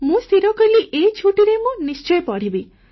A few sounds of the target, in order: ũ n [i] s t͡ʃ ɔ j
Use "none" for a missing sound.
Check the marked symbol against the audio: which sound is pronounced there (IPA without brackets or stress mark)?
i